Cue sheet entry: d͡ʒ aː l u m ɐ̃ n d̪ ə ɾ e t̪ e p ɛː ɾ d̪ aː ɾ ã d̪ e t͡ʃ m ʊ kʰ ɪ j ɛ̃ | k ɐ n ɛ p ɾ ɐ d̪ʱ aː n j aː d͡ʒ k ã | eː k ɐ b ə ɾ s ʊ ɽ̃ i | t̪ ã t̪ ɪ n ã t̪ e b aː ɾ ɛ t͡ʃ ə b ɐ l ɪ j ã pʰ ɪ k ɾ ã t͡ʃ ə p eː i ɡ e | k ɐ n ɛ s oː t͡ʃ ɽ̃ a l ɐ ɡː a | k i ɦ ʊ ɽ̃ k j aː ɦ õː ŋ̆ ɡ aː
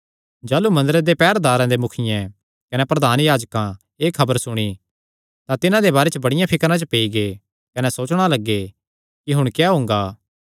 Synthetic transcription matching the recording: d͡ʒ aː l u m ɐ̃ n d̪ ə ɾ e d̪ e p ɛː ɾ d̪ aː ɾ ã d̪ e m ʊ kʰ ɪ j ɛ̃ | k ɐ n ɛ p ɾ ɐ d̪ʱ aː n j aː d͡ʒ k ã | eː kʰ ɐ b ə ɾ s ʊ ɽ̃ i | t̪ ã t̪ ɪ n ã d̪ e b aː ɾ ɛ t͡ʃ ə b ɐ ɽ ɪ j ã pʰ ɪ k ɾ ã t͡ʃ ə p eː i ɡ e | k ɐ n ɛ s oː t͡ʃ ɽ̃ a l ɐ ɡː e | k i ɦ ʊ ɽ̃ k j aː ɦ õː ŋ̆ ɡ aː